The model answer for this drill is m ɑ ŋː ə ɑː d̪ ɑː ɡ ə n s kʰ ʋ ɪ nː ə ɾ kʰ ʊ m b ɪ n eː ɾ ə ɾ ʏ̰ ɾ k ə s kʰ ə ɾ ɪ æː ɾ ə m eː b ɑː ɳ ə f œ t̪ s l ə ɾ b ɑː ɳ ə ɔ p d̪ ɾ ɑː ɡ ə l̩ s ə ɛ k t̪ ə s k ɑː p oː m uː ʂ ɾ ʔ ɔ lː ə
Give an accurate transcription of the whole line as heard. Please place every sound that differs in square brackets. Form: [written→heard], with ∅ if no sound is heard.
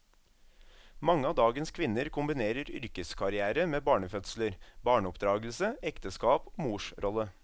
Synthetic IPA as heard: m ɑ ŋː ə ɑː d̪ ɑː ɡ ə n s kʰ ʋ ɪ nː ə ɾ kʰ ʊ m b ɪ n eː ɾ ə ɾ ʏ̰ ɾ k ə s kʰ [ə→ɑ] ɾ ɪ æː ɾ ə m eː b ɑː ɳ ə f œ t̪ s l ə ɾ b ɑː ɳ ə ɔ p d̪ ɾ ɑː ɡ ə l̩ s ə ɛ k t̪ ə s k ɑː p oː m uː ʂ ɾ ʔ ɔ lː ə